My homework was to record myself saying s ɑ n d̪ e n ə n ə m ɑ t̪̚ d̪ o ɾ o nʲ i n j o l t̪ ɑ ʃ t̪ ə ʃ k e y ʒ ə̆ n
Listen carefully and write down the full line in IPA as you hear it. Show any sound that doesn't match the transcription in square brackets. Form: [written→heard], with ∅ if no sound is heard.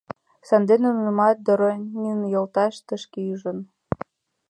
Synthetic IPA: s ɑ n d̪ e n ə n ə m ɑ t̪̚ d̪ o ɾ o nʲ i n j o l t̪ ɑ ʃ t̪ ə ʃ k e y ʒ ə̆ n